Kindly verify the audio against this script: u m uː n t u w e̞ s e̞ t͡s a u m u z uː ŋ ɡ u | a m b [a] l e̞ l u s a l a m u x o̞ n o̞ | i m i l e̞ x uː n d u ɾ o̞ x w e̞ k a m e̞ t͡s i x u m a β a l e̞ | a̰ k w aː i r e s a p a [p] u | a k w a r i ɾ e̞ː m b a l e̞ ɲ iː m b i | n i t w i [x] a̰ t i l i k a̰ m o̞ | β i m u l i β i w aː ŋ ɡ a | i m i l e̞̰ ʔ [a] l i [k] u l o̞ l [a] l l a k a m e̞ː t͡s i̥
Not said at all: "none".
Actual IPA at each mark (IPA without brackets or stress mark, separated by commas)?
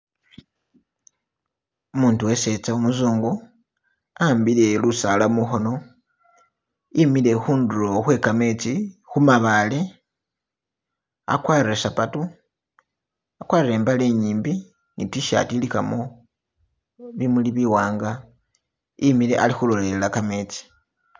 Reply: i, t, ʃ, a, x, e